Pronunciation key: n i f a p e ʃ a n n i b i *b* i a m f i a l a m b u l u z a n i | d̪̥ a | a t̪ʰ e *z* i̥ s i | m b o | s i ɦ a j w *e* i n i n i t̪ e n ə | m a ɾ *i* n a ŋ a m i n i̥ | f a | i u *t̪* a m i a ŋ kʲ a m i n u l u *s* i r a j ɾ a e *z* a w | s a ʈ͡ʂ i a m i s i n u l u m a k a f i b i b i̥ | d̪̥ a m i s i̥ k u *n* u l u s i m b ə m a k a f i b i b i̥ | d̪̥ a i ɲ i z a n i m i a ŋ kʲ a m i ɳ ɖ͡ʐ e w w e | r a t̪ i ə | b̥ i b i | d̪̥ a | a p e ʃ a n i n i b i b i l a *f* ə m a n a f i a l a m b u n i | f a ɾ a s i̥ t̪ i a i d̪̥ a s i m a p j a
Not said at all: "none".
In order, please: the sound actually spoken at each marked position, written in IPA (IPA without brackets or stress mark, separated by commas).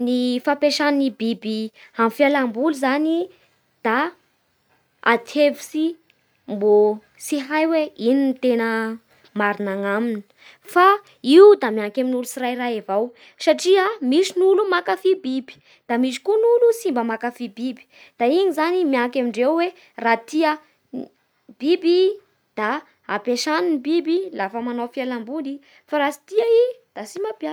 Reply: b, v, e, i, d̪, s, v, n, f